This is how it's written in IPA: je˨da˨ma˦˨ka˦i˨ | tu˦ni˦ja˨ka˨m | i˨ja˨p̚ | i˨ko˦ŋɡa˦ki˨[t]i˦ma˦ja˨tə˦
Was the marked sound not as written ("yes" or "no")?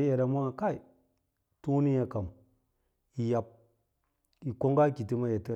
no